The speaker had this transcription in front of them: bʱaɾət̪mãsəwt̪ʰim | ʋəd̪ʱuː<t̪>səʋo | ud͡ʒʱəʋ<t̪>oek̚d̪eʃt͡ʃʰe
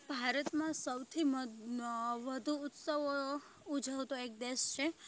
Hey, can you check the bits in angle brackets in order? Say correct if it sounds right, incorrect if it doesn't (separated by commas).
correct, correct